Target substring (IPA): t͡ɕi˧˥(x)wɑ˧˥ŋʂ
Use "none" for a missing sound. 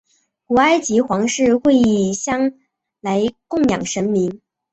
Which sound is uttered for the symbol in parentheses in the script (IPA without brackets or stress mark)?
x